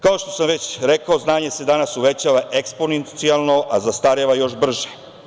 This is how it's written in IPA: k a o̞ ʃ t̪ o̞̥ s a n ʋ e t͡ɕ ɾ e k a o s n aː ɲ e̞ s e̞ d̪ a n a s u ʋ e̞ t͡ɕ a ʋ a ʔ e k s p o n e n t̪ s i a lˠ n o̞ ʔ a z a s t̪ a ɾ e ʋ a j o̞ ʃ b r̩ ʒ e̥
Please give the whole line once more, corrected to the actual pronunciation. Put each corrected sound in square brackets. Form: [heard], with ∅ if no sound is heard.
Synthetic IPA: k a o̞ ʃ t̪ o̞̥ s a [m] ʋ e t͡ɕ ɾ e k a o [z] n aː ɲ e̞ s e̞ d̪ a n a s u ʋ e̞ t͡ɕ a ʋ a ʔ e k s p o n e n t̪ s i a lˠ n o̞ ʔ a z a s t̪ a ɾ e ʋ a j o̞ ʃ b r̩ ʒ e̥